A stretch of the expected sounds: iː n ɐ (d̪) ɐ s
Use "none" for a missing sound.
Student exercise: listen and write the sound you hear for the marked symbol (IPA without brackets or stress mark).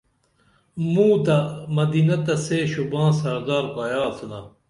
t̪